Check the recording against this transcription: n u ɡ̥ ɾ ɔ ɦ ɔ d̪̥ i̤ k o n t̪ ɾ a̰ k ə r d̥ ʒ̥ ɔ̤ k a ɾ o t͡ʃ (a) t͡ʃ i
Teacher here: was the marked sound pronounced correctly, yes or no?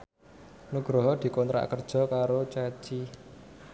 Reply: yes